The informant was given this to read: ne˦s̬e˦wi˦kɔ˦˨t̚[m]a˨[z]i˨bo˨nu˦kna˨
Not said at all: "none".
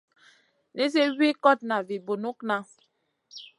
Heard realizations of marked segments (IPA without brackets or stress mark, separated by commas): n, v